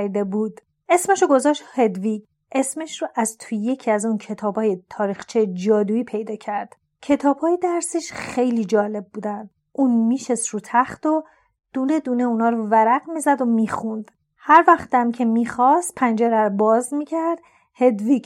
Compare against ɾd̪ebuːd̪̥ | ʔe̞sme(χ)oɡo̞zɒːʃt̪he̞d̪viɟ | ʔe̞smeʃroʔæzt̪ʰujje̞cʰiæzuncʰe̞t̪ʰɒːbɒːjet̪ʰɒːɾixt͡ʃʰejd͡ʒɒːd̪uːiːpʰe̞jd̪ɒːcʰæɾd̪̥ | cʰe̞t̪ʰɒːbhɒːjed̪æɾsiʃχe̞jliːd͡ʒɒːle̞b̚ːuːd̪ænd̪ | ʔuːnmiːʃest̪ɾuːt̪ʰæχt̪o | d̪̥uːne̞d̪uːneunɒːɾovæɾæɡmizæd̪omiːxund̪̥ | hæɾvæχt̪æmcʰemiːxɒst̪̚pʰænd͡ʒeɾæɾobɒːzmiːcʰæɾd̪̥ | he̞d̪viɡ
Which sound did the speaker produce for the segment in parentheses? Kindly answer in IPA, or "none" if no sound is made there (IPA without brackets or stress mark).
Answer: ʃ